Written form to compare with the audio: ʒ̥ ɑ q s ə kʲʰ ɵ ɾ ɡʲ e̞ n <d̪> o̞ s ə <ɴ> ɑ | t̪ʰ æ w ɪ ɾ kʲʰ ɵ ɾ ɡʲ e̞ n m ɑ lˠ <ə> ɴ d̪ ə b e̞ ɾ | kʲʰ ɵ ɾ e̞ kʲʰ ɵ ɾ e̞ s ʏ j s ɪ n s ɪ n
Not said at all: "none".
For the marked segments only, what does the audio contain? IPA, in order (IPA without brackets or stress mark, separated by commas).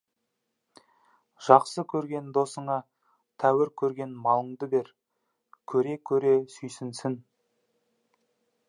d̪, ɴ, ə